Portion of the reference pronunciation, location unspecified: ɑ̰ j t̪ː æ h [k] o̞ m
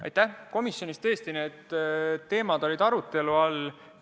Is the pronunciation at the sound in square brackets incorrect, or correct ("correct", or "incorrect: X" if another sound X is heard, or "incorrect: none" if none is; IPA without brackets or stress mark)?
correct